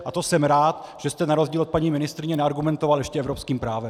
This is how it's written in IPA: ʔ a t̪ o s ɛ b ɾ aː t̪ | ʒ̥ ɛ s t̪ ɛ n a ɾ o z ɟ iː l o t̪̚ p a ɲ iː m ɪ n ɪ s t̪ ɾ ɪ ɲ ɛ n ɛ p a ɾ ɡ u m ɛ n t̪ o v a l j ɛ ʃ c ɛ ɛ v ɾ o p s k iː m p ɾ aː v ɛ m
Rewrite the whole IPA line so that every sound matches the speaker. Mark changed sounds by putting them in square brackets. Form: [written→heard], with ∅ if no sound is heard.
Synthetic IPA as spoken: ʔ a t̪ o s ɛ [b→m] ɾ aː t̪ | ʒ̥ ɛ s t̪ ɛ n a ɾ o z ɟ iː l o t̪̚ p a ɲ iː m ɪ n ɪ s t̪ ɾ ɪ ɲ ɛ n ɛ [p→∅] a ɾ ɡ u m ɛ n t̪ o v a l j ɛ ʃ c ɛ ɛ v ɾ o p s k iː m p ɾ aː v ɛ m